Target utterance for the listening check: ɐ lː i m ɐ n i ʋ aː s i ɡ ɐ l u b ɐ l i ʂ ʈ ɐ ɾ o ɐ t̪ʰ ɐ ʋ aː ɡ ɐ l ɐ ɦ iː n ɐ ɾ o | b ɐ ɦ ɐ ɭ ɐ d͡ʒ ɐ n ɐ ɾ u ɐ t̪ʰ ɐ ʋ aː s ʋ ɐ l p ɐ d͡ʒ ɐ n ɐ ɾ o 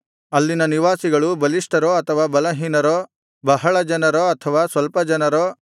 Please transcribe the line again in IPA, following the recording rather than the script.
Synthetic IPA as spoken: ɐ lː i n ɐ n i ʋ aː s i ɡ ɐ ɭ u b ɐ l i ʂ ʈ ɐ ɾ o ɐ t̪ʰ ɐ ʋ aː b ɐ l ɐ ɦ iː n ɐ ɾ o | b ɐ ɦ ɐ ɭ ɐ d͡ʒ ɐ n ɐ ɾ o ɐ t̪ʰ ɐ ʋ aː s ʋ ɐ l p ɐ d͡ʒ ɐ n ɐ ɾ o